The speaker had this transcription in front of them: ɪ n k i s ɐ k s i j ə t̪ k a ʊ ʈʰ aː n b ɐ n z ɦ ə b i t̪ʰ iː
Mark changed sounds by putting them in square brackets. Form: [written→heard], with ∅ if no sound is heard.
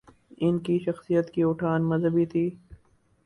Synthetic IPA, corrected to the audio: ɪ n k i [s→ʃ] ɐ [k→x] s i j ə t̪ k [a→i] ʊ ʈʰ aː n [b→m] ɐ [n→∅] z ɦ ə b i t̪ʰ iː